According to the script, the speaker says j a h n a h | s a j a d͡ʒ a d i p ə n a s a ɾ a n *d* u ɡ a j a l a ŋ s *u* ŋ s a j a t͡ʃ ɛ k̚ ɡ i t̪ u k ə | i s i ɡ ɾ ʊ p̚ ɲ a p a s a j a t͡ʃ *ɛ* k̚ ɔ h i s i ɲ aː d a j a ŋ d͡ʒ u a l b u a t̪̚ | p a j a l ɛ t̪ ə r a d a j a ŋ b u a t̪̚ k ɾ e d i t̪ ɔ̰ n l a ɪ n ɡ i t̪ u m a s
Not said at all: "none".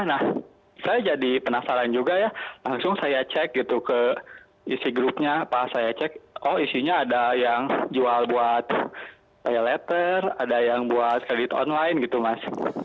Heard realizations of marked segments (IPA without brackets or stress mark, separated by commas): d͡ʒ, ʊ, ɛ